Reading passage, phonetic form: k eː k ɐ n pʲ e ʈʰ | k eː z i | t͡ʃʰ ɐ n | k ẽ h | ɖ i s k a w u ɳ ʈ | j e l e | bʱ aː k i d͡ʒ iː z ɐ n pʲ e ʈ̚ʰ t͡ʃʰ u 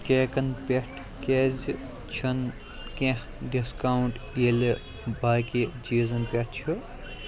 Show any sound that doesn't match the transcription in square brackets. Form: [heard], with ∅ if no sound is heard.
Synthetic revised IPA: k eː k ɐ n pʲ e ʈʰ | k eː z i | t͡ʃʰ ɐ n | k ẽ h | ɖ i s k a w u ɳ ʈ | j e l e | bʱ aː k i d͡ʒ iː z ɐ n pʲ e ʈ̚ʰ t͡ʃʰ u